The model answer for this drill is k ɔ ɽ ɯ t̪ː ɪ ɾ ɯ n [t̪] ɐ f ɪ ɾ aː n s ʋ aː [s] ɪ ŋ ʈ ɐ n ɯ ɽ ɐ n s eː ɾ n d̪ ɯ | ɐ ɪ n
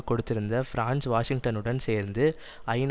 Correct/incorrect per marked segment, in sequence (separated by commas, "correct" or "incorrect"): incorrect, incorrect